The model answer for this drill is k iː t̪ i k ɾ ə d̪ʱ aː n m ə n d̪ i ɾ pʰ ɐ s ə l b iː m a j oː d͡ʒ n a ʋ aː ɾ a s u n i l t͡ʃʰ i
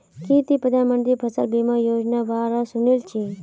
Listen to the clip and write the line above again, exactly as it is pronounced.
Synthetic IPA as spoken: k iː t̪ i p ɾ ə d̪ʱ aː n m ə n d̪ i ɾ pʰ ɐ s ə l b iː m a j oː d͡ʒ n a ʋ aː ɾ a s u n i l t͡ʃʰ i